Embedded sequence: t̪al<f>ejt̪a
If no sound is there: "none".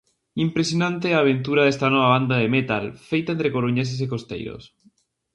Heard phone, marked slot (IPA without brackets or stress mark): f